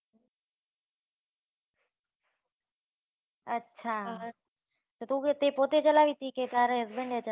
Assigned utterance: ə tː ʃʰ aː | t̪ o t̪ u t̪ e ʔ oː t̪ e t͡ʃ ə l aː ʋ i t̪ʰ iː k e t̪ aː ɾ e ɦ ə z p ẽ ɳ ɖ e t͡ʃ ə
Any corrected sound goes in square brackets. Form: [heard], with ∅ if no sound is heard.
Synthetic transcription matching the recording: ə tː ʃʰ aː | t̪ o t̪ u t̪ e [p] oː t̪ e t͡ʃ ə l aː ʋ i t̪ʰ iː k e t̪ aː ɾ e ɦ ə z [b] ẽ ɳ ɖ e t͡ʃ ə